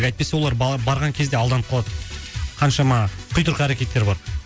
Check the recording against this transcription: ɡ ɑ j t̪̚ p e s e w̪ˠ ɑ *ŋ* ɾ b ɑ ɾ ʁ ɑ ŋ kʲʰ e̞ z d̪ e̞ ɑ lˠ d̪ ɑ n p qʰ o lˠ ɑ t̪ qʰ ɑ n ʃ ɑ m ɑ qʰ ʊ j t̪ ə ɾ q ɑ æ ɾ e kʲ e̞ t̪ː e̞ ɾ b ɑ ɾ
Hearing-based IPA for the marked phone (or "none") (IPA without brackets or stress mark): none